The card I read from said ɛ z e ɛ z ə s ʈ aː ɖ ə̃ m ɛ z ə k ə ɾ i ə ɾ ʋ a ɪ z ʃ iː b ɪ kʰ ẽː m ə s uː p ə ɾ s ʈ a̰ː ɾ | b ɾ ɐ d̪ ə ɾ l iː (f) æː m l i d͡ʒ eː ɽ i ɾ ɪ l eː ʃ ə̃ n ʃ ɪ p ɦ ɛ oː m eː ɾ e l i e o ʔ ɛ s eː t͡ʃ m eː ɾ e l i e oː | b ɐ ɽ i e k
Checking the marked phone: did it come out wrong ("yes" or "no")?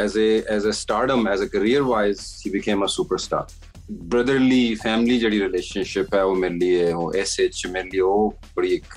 no